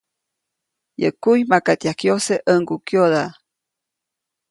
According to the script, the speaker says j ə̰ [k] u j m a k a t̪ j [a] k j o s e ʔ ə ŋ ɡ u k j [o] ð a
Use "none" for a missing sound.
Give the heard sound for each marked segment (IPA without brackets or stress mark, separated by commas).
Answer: k, a, o